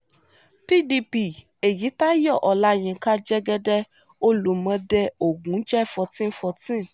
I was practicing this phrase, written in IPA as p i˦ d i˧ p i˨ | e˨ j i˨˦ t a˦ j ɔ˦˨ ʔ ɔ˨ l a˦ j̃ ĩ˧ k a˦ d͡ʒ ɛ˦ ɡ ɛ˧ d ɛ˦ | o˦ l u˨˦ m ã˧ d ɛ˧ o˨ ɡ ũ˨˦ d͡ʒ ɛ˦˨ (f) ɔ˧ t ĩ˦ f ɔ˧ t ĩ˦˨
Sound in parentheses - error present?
no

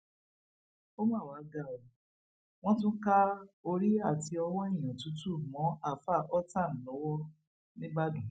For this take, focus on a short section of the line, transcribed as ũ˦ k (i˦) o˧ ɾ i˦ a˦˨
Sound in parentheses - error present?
yes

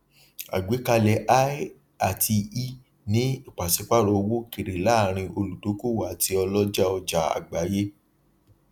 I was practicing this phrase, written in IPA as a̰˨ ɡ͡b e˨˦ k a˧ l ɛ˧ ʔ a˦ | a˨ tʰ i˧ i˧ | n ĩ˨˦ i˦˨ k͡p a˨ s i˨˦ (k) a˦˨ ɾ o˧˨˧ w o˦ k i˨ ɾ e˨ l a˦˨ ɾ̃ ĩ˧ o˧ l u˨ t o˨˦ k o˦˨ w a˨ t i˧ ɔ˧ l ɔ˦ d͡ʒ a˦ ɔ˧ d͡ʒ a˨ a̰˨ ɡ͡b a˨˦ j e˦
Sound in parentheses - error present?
yes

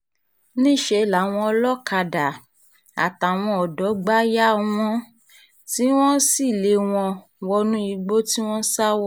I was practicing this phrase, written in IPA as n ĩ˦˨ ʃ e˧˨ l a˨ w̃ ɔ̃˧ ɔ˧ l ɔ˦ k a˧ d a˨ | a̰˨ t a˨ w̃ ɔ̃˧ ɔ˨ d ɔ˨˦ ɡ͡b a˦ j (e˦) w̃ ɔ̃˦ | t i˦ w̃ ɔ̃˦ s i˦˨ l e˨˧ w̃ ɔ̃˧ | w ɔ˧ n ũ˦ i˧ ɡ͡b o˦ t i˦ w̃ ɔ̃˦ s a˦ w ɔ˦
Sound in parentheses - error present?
yes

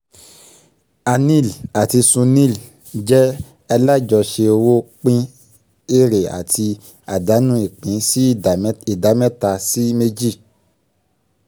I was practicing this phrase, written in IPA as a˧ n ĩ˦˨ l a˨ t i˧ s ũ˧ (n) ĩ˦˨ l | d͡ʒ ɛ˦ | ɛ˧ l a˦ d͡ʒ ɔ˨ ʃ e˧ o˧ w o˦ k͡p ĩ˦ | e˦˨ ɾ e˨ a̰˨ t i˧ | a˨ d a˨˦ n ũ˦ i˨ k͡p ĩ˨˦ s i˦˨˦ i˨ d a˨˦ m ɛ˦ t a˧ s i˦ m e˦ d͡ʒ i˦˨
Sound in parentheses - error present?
no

